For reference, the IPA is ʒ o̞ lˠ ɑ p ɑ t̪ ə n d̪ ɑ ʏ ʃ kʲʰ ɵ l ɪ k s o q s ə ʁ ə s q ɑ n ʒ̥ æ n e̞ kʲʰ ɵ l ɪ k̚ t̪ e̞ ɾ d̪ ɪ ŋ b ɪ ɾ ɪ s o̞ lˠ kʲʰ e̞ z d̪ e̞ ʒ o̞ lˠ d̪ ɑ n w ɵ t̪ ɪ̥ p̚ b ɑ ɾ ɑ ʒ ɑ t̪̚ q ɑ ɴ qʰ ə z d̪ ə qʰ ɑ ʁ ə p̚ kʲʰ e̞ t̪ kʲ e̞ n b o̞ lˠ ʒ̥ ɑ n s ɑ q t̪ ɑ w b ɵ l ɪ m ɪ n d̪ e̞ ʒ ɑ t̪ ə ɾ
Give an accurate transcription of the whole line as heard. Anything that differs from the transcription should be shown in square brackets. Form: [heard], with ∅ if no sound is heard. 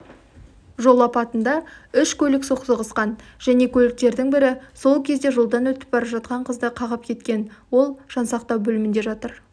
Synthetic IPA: ʒ o̞ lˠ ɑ p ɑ t̪ ə n d̪ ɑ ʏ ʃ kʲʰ ɵ l ɪ k s o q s ə ʁ ə s q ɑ n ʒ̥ æ n e̞ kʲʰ ɵ l ɪ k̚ t̪ e̞ ɾ d̪ ɪ ŋ b ɪ ɾ ɪ s o̞ lˠ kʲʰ e̞ z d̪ e̞ ʒ o̞ lˠ d̪ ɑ n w ɵ t̪ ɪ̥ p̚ b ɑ ɾ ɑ ʒ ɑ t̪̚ q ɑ ɴ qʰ ə z d̪ ə qʰ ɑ ʁ ə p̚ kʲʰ e̞ t̪ kʲ e̞ n [w] o̞ lˠ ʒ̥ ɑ n s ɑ q t̪ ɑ w b ɵ l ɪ m ɪ n d̪ e̞ ʒ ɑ t̪ ə ɾ

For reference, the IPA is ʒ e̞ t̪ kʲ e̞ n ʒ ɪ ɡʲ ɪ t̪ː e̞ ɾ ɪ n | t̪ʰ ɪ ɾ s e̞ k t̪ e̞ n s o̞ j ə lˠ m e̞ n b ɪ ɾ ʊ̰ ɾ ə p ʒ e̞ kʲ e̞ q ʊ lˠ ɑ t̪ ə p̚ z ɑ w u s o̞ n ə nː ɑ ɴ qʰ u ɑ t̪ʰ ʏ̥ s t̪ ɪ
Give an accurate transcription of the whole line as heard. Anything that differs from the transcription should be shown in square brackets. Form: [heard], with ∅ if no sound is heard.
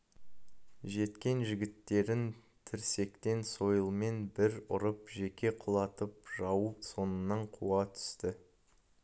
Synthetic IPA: ʒ e̞ t̪ kʲ e̞ n ʒ ɪ ɡʲ ɪ t̪ː e̞ ɾ ɪ n | t̪ʰ ɪ ɾ s e̞ k t̪ e̞ n s o̞ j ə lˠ m e̞ n b ɪ ɾ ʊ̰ ɾ ə p ʒ e̞ kʲ e̞ [qʰ] ʊ lˠ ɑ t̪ ə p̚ [ʒ] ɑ w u s o̞ n ə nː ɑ ɴ qʰ u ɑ t̪ʰ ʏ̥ s t̪ ɪ

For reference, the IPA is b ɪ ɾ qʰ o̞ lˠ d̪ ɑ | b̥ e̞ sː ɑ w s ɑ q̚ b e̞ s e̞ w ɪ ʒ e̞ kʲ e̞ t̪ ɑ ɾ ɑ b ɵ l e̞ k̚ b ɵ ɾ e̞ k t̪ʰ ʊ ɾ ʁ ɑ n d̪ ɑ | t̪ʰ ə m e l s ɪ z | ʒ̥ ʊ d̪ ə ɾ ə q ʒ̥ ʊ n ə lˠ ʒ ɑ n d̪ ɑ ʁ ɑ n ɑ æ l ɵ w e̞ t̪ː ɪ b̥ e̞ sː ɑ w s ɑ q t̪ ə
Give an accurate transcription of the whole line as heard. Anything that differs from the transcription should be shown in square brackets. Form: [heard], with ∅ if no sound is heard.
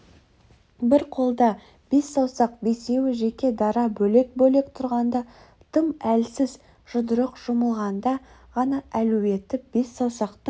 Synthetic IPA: b ɪ ɾ qʰ o̞ lˠ d̪ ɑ | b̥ e̞ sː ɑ w s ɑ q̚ b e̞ s e̞ w ɪ ʒ e̞ kʲ e̞ [d̪] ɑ ɾ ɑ b ɵ l e̞ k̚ b ɵ [l] e̞ k t̪ʰ ʊ ɾ ʁ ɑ n d̪ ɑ | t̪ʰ ə m [æ] l s ɪ z | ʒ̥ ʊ d̪ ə ɾ ə q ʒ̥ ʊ [m] ə lˠ [ʁ] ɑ n d̪ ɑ ʁ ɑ n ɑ æ l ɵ w e̞ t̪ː ɪ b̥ e̞ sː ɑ w s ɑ q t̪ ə

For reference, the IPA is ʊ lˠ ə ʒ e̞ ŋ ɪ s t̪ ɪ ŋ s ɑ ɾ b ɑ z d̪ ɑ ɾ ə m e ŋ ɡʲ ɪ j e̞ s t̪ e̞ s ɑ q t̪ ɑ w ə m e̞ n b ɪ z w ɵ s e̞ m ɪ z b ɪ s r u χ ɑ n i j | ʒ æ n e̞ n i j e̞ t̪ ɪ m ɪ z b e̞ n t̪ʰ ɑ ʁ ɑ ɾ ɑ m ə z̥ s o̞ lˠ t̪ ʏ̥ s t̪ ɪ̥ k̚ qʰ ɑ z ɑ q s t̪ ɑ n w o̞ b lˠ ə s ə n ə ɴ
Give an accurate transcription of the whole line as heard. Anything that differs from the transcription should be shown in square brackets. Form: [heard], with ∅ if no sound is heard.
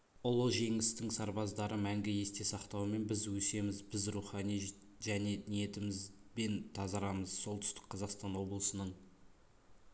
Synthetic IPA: ʊ lˠ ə ʒ e̞ ŋ ɪ s t̪ ɪ ŋ s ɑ ɾ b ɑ z d̪ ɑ ɾ ə m [æ] ŋ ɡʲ ɪ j e̞ s t̪ e̞ s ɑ q t̪ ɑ w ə m e̞ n b ɪ z w ɵ s e̞ m ɪ z b ɪ [z] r u χ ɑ n i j | ʒ æ n e̞ n i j e̞ t̪ ɪ m ɪ z b e̞ n t̪ʰ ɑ [z] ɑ ɾ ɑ m ə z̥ s o̞ lˠ t̪ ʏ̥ s t̪ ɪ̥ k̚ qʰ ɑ z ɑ q s t̪ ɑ n w o̞ b lˠ ə s ə n ə ɴ

